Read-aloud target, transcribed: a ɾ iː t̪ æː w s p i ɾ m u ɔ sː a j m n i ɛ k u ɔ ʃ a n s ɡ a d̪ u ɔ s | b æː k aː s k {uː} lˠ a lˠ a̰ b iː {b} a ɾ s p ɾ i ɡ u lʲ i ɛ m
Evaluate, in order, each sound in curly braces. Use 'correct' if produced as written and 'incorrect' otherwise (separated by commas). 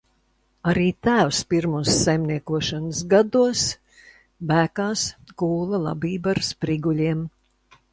correct, correct